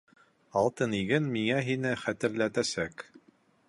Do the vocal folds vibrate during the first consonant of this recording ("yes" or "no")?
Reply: yes